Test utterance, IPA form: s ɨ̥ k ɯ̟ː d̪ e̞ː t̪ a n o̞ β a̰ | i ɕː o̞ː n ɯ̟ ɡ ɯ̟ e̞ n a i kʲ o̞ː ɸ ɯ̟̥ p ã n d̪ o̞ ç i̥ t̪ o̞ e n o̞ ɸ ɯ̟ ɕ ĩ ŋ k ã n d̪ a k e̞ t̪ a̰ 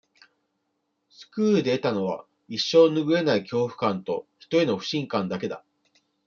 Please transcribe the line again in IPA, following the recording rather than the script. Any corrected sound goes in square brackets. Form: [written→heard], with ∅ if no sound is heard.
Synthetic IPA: s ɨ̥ k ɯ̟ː d̪ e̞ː t̪ a n o̞ β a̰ | i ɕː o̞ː n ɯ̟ ɡ ɯ̟ e̞ n a i kʲ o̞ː ɸ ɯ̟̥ [p→k] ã n [d̪→t̪] o̞ ç i̥ t̪ o̞ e n o̞ ɸ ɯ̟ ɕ ĩ ŋ k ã n d̪ a k e̞ [t̪→d̪] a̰

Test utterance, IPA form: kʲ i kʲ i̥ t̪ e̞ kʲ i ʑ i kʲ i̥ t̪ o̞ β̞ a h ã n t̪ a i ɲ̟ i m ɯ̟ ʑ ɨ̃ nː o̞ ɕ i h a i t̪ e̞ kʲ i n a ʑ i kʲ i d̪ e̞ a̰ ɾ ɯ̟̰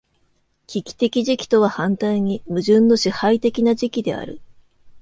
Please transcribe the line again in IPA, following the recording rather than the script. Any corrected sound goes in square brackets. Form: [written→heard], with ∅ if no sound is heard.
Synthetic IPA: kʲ i kʲ i̥ t̪ e̞ kʲ i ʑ i kʲ i̥ t̪ o̞ β̞ a h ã n t̪ a i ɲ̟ i m ɯ̟ ʑ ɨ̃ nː o̞ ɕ i h a i t̪ e̞ kʲ i n a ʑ i kʲ i d̪ e̞ a̰ ɾ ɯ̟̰

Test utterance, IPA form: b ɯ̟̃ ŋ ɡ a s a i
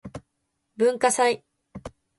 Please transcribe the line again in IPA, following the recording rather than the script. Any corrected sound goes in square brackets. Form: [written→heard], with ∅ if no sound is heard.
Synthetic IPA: b ɯ̟̃ ŋ [ɡ→k] a s a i

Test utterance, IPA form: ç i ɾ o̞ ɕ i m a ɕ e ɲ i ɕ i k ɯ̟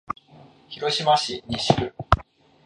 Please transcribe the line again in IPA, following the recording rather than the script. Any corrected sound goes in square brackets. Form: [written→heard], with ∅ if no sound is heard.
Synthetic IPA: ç i ɾ o̞ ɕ i m a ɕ [e→i] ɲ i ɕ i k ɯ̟

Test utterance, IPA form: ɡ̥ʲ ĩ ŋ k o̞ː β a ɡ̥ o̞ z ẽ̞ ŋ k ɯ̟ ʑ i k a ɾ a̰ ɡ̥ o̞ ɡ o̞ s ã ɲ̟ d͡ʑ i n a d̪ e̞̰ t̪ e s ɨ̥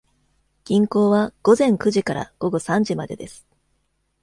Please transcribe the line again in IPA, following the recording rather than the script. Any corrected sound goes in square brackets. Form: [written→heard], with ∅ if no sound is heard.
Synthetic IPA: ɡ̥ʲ ĩ ŋ k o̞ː β a ɡ̥ o̞ z ẽ̞ ŋ k ɯ̟ ʑ i k a ɾ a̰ ɡ̥ o̞ ɡ o̞ s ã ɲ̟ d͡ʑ i [n→m] a d̪ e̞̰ [t̪→d̪] e s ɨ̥

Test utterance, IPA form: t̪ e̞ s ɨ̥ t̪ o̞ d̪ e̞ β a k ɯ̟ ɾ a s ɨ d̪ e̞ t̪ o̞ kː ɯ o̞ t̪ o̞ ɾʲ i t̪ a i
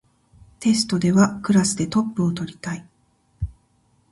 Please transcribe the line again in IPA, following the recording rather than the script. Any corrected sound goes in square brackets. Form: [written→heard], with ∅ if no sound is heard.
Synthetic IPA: t̪ e̞ s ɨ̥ t̪ o̞ d̪ e̞ β a k ɯ̟ ɾ a s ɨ d̪ e̞ t̪ o̞ [kː→pː] ɯ o̞ t̪ o̞ ɾʲ i t̪ a i

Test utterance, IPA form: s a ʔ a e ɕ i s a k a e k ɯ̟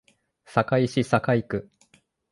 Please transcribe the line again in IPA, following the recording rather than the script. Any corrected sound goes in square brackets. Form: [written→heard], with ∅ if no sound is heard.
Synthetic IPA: s a [ʔ→k] a [e→i] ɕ i s a k a [e→i] k ɯ̟

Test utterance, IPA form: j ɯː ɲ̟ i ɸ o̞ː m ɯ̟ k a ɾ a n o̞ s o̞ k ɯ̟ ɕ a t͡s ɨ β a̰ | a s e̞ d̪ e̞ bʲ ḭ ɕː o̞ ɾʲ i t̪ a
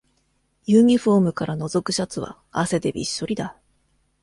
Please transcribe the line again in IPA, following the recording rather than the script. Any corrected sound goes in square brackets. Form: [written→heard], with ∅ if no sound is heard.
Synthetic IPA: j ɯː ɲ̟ i ɸ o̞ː m ɯ̟ k a ɾ a n o̞ [s→z] o̞ k ɯ̟ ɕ a t͡s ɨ β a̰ | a s e̞ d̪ e̞ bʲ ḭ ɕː o̞ ɾʲ i [t̪→d̪] a

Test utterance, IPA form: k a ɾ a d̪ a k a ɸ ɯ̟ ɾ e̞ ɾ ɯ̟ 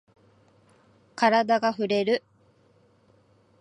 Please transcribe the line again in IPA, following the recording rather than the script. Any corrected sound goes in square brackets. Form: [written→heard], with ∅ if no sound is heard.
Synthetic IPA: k a ɾ a d̪ a [k→ɡ] a ɸ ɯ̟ ɾ e̞ ɾ ɯ̟

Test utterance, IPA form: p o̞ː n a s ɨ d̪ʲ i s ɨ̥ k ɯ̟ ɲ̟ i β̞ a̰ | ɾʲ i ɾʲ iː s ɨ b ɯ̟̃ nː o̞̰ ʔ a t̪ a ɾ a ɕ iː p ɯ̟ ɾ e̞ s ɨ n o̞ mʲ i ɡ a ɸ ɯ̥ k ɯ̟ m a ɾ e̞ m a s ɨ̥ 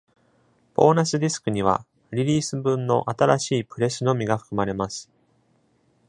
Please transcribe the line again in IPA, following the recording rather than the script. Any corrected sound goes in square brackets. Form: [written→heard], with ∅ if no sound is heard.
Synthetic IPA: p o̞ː n a s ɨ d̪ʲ i s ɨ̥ k ɯ̟ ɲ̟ i β̞ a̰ | ɾʲ i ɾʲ iː s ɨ b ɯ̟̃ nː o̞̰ ʔ a t̪ a ɾ a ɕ iː p ɯ̟ ɾ e̞ s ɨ n o̞ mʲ i ɡ a ɸ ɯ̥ k ɯ̟ m a ɾ e̞ m a s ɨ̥

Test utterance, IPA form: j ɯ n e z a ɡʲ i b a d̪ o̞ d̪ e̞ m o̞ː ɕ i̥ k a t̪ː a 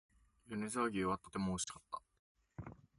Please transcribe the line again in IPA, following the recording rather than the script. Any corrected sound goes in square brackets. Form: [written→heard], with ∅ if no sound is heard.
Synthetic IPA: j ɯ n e z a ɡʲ i [b→β] a [d̪→t̪] o̞ [d̪→t̪] e̞ m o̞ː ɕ i̥ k a t̪ː a

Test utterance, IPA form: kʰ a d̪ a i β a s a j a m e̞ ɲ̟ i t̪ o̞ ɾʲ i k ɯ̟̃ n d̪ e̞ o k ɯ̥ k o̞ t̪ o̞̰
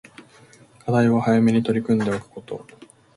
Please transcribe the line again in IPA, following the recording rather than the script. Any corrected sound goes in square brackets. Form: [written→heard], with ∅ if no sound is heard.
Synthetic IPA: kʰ a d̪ a i β a [s→h] a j a m e̞ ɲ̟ i t̪ o̞ ɾʲ i k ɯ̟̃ n d̪ e̞ o k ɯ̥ k o̞ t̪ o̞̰

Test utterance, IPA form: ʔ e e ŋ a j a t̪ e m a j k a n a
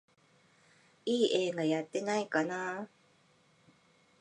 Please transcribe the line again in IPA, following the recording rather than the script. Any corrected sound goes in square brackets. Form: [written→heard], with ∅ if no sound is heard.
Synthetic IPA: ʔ [e→i] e ŋ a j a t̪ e [m→n] a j k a n a

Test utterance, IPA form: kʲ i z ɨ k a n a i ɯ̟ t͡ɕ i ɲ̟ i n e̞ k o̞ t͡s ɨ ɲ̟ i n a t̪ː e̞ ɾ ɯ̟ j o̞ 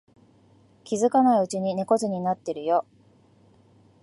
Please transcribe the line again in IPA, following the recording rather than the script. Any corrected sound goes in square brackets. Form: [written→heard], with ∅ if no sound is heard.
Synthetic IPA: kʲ i z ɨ k a n a i ɯ̟ t͡ɕ i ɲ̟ i n e̞ k o̞ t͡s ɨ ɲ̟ i n a t̪ː e̞ ɾ ɯ̟ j o̞

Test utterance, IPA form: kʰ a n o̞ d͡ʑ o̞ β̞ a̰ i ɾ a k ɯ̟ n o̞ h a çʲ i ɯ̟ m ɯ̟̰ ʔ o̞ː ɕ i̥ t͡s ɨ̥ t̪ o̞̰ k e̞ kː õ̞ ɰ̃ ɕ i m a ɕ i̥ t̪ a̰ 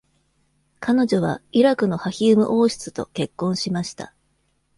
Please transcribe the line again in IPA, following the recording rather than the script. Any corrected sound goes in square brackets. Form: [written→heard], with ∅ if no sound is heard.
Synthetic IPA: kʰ a n o̞ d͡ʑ o̞ β̞ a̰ i ɾ a k ɯ̟ n o̞ h a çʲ i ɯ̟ m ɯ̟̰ ʔ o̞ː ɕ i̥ t͡s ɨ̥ t̪ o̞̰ k e̞ kː õ̞ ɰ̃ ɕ i m a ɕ i̥ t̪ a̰

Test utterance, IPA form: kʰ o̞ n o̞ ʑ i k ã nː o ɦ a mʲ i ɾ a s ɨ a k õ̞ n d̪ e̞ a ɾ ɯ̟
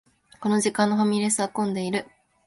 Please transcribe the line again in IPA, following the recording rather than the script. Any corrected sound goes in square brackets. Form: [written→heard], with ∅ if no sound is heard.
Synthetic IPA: [kʰ→k] o̞ n o̞ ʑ i k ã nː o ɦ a mʲ i ɾ [a→e] s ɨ a k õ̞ n d̪ e̞ [a→i] ɾ ɯ̟

